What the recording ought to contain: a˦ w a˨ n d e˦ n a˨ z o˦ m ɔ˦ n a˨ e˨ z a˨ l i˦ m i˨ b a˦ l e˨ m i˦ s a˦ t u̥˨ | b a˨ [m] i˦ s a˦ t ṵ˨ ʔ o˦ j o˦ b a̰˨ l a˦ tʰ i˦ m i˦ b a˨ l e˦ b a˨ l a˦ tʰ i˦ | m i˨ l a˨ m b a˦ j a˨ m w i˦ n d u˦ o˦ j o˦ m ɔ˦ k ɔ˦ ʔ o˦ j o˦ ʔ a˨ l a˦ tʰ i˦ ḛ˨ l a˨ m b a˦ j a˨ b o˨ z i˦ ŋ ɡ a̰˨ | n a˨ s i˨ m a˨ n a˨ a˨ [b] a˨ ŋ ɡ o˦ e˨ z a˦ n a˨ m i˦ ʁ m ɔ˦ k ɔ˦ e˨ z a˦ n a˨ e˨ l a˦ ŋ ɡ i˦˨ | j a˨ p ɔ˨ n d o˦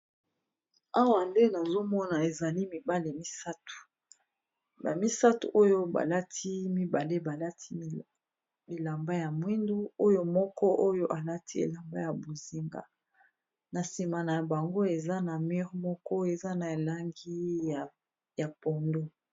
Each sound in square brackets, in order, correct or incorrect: correct, correct

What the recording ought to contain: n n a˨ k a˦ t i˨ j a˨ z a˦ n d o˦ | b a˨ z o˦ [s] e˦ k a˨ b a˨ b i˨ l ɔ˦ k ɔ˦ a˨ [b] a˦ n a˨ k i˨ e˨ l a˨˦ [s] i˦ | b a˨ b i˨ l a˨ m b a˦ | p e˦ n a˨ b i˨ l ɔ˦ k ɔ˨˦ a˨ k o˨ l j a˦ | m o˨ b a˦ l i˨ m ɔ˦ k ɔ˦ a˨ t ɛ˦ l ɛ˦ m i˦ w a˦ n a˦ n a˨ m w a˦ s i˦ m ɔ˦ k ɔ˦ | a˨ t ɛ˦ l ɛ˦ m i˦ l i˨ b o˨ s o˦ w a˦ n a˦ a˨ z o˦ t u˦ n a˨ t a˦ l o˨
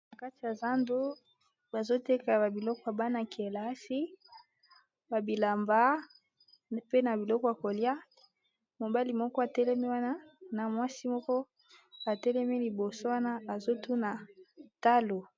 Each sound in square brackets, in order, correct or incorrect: incorrect, correct, correct

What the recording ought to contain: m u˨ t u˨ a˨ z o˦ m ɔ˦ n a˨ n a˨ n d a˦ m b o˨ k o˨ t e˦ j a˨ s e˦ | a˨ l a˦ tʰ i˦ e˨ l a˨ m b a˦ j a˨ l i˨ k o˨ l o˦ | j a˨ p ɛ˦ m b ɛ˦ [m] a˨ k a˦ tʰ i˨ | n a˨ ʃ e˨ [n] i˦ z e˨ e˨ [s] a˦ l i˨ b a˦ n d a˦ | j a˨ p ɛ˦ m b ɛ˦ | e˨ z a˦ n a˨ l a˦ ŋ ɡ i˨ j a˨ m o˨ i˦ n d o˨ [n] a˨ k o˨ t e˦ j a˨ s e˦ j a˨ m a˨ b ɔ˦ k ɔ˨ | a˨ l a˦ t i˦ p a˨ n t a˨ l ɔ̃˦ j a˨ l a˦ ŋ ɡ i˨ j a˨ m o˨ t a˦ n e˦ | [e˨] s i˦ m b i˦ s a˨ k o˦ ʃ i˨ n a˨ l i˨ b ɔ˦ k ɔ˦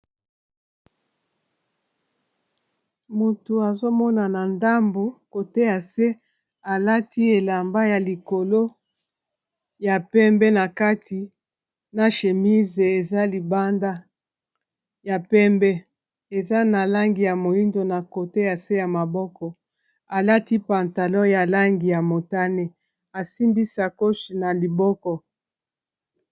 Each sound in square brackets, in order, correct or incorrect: incorrect, incorrect, incorrect, correct, incorrect

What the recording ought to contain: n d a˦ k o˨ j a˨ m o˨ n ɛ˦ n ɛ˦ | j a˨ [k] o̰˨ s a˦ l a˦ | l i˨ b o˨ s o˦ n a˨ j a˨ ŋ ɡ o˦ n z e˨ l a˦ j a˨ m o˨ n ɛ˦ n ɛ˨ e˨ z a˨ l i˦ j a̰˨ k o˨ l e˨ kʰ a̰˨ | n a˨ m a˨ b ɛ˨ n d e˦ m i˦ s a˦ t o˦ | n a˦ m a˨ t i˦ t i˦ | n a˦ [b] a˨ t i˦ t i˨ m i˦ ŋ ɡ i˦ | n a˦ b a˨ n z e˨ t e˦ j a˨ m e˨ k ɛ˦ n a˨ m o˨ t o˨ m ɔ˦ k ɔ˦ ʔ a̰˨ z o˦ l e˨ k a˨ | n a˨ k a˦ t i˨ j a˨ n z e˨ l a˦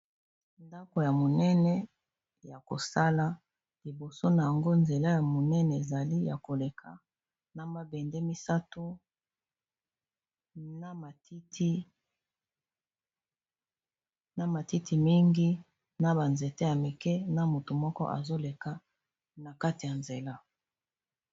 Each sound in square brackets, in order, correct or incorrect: correct, incorrect

